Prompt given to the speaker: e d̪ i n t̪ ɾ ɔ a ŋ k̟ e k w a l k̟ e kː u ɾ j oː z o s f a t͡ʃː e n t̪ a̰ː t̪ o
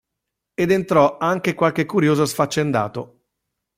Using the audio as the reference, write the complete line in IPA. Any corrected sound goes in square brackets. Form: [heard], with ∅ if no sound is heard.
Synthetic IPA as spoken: e d̪ [e] n t̪ ɾ ɔ a ŋ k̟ e k w a l k̟ e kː u ɾ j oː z o s f a t͡ʃː e n [d̪] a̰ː t̪ o